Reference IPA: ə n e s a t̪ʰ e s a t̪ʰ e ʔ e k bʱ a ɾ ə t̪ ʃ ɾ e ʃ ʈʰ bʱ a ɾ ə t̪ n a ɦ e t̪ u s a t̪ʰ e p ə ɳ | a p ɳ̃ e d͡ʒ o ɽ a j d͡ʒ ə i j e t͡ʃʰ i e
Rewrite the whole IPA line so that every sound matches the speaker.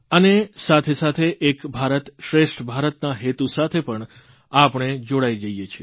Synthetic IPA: ə n e s a t̪ʰ e s a t̪ʰ e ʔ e k bʱ a ɾ ə t̪ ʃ ɾ e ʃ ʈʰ bʱ a ɾ ə t̪ n a ɦ e t̪ u s a t̪ʰ e p ə ɳ | a p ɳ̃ e d͡ʒ o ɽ a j d͡ʒ ə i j e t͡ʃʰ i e